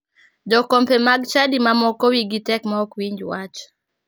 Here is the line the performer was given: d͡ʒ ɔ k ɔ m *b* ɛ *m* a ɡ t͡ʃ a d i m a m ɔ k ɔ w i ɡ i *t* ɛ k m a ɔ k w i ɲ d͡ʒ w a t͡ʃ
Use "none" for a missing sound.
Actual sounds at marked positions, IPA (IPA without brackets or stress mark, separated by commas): p, m, t